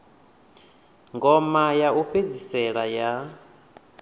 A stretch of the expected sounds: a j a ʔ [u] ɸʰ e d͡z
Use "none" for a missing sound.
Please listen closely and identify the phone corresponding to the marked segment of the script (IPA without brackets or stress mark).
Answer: u